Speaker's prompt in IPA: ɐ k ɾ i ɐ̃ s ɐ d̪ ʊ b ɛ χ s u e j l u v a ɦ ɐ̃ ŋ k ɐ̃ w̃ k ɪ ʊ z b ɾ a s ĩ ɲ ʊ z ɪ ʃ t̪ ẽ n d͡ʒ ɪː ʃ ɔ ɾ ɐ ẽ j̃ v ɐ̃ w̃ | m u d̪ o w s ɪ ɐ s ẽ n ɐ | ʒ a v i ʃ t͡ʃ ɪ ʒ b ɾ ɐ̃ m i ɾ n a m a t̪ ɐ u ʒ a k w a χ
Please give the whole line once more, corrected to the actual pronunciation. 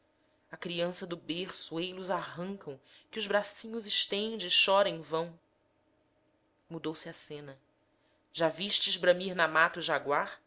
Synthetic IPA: ɐ k ɾ i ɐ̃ s ɐ d̪ ʊ b e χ s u e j l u z a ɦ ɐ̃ ŋ k ɐ̃ w̃ k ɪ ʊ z b ɾ a s ĩ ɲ ʊ z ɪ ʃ t̪ ẽ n d͡ʒ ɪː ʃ ɔ ɾ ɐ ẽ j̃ v ɐ̃ w̃ | m u d̪ o w s ɪ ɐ s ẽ n ɐ | ʒ a v i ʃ t͡ʃ ɪ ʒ b ɾ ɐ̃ m i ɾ n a m a t̪ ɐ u ʒ a ɡ w a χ

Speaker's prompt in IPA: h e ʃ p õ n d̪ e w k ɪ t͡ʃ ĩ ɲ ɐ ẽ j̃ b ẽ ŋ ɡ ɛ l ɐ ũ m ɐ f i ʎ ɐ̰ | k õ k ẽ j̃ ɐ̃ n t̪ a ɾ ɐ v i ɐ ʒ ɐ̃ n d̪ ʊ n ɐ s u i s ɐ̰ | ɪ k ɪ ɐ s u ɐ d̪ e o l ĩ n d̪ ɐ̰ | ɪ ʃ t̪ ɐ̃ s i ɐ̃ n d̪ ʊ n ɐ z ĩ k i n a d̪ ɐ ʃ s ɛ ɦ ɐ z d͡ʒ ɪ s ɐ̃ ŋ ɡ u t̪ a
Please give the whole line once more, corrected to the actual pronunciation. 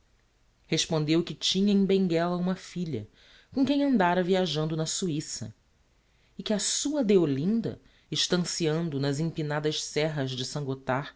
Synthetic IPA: h e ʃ p õ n d̪ e w k ɪ t͡ʃ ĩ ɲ ɐ ẽ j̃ b ẽ ŋ ɡ ɛ l ɐ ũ m ɐ f i ʎ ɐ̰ | k õ k ẽ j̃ ɐ̃ n d̪ a ɾ ɐ v i a ʒ ɐ̃ n d̪ ʊ n ɐ s u i s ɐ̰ | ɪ k ɪ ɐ s u ɐ d̪ e o l ĩ n d̪ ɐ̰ | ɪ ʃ t̪ ɐ̃ s i ɐ̃ n d̪ ʊ n ɐ z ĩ p i n a d̪ ɐ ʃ s ɛ ɦ ɐ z d͡ʒ ɪ s ɐ̃ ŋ ɡ o t̪ a

